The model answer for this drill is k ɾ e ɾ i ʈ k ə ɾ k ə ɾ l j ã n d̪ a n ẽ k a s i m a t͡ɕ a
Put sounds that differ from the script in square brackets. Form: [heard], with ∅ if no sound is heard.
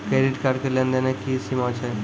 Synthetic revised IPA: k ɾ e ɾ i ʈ k [a] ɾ k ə ɾ l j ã n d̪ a n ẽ k [i] s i m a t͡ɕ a

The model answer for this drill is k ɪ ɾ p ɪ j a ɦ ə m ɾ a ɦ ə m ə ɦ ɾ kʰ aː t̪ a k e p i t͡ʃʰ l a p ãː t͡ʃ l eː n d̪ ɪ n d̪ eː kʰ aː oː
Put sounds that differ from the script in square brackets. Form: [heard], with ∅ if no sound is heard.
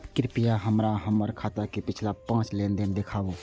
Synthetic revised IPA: k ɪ ɾ p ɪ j a ɦ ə m ɾ a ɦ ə m ə [∅] ɾ kʰ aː t̪ a k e p [ɪ] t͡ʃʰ l a p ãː t͡ʃ l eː n d̪ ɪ n d̪ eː kʰ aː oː

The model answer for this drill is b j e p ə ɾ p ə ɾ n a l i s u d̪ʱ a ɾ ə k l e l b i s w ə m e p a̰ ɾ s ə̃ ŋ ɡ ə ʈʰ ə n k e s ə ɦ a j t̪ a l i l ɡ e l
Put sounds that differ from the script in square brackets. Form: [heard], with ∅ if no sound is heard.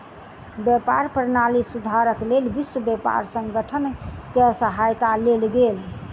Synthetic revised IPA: b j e p [a] ɾ p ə ɾ n a l i s u d̪ʱ a ɾ ə k l e l b i s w ə [b] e p a̰ ɾ s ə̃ ŋ ɡ ə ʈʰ ə n k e s ə ɦ a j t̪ a l [e] l ɡ e l

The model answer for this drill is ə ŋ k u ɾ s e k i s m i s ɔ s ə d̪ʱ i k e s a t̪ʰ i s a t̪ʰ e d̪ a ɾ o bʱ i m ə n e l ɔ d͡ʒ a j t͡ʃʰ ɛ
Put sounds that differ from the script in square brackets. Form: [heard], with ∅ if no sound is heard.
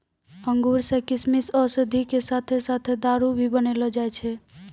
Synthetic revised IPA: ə ŋ [ɡ] u ɾ s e k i s m i s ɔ s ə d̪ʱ i k e s a t̪ʰ [e] s a t̪ʰ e d̪ a ɾ [u] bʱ i [b] ə n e l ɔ d͡ʒ a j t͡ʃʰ ɛ

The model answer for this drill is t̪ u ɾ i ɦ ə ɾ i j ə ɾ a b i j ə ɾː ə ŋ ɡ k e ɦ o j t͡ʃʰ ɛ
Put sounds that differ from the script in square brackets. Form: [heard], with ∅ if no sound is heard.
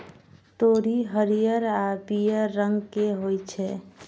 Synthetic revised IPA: t̪ [o] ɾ i ɦ ə ɾ i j ə ɾ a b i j ə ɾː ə ŋ ɡ k e ɦ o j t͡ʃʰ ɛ

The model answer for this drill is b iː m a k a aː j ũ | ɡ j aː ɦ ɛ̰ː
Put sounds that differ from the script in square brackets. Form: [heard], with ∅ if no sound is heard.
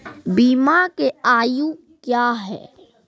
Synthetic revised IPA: b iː m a k [e] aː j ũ | [k] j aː ɦ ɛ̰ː

